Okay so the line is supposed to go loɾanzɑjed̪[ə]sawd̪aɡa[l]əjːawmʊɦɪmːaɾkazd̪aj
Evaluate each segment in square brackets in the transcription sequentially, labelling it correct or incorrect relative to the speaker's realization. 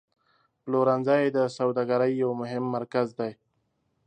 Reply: correct, incorrect

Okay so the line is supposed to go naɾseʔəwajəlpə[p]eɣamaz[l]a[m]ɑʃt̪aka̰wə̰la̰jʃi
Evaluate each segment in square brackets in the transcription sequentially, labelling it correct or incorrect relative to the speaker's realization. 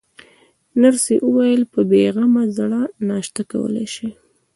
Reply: incorrect, incorrect, incorrect

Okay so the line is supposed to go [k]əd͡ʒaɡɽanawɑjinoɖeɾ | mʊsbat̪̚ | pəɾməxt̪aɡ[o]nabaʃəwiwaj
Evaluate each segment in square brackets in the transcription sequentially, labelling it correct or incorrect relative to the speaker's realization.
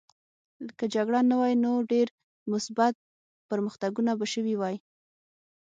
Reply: correct, incorrect

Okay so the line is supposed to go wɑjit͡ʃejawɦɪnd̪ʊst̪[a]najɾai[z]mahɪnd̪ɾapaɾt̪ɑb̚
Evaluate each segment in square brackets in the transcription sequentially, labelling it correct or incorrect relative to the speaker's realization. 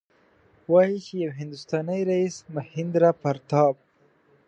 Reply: incorrect, incorrect

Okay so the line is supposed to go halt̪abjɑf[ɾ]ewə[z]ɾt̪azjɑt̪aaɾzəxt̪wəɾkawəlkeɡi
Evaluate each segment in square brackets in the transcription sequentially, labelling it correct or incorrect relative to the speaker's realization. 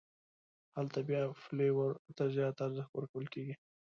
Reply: incorrect, incorrect

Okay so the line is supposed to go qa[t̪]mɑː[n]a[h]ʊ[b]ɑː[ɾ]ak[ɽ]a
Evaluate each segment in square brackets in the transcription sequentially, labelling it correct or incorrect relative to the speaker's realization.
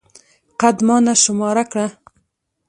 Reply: incorrect, correct, incorrect, incorrect, correct, correct

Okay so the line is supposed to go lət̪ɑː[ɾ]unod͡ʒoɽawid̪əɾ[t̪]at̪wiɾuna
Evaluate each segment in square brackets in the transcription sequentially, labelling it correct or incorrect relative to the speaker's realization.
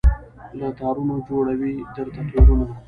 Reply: correct, correct

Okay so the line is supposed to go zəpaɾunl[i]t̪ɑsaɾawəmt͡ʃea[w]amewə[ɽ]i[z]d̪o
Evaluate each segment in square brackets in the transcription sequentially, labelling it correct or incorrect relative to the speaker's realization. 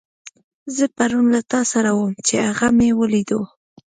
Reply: incorrect, incorrect, incorrect, incorrect

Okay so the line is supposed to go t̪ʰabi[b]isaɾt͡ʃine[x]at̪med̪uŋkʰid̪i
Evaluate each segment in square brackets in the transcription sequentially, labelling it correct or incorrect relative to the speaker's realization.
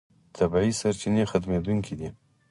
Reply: incorrect, correct

